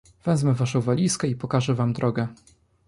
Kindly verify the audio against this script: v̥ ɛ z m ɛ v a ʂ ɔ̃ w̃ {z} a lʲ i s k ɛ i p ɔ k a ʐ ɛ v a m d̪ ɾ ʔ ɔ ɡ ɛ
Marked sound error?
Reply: yes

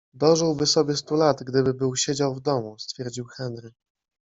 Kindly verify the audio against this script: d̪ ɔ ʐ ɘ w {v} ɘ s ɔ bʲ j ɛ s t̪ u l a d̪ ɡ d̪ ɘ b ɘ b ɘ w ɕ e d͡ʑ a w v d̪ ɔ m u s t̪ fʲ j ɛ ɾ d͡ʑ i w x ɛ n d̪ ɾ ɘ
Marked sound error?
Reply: yes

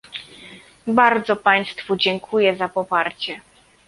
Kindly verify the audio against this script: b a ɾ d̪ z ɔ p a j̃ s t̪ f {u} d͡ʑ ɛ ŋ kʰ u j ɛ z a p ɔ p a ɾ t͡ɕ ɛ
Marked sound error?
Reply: no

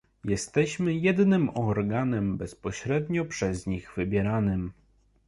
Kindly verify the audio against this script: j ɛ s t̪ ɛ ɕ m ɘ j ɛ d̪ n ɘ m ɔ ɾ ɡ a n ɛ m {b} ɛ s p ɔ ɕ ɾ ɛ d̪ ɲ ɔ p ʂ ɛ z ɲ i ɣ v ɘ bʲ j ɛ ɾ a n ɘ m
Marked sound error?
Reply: no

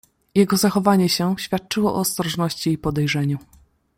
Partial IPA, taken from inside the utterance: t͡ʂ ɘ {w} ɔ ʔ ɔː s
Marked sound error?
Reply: no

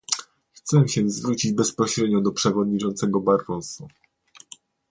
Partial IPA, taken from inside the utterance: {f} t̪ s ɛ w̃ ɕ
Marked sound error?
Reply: yes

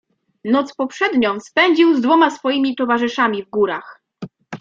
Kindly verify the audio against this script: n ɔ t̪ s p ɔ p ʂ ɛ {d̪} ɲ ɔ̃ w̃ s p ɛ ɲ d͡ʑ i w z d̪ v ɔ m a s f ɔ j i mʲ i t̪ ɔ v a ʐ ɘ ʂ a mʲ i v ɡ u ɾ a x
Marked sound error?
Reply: no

